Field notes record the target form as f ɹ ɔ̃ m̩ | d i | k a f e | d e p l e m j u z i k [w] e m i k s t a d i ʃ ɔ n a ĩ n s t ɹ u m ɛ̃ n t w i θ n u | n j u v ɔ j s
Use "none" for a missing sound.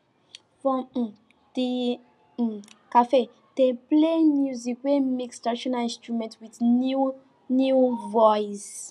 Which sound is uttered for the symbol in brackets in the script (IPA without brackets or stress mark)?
w